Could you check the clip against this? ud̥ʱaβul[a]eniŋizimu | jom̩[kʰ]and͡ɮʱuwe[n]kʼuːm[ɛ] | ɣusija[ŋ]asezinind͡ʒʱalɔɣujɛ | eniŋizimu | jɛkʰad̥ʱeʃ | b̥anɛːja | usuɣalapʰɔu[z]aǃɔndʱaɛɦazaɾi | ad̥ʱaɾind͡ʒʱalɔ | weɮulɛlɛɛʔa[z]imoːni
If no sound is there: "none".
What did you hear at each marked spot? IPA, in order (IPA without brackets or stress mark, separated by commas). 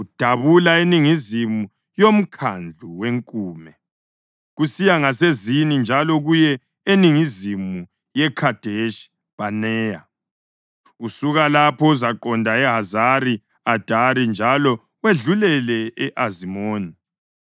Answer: a, kʰ, ŋ, ɛ, ŋ, z, z